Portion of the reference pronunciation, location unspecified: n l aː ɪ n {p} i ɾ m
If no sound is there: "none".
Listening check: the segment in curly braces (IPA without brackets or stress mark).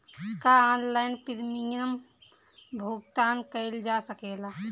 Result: p